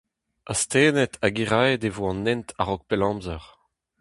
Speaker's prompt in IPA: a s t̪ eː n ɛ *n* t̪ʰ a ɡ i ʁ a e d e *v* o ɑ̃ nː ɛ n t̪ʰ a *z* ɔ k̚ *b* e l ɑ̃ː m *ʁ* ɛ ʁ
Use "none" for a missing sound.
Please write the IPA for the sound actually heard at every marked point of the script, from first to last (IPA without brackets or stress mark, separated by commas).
none, v, ʁ, p, z